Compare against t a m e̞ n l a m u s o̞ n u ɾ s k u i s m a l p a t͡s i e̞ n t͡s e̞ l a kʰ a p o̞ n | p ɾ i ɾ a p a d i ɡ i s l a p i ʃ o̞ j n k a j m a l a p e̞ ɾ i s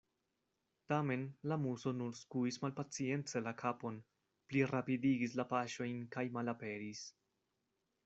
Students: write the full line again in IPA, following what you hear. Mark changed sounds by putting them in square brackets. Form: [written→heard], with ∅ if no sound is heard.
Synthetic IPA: t a m e̞ n l a m u s o̞ n u ɾ s k u i s m a l p a t͡s i e̞ n t͡s e̞ l a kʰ a p o̞ n | p [ɾ→l] i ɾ a p [a→i] d i ɡ i s l a p [i→a] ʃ o̞ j n k a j m a l a p e̞ ɾ i s